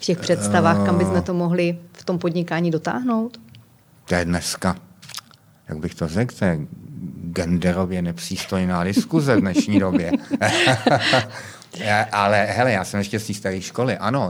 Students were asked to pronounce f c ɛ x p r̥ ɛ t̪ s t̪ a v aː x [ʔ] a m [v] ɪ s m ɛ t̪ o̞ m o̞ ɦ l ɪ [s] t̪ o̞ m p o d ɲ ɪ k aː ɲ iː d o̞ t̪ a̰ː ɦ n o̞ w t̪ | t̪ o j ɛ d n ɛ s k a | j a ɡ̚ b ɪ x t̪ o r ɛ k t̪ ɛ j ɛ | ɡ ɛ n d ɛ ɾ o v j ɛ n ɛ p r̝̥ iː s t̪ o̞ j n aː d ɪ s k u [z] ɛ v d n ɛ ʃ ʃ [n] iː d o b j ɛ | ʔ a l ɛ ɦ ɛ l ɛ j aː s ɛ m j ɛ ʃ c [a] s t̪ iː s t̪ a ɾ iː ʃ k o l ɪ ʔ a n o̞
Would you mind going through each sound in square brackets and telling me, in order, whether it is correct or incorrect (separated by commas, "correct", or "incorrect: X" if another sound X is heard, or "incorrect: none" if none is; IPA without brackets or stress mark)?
incorrect: k, incorrect: b, incorrect: f, correct, incorrect: ɲ, incorrect: ɛ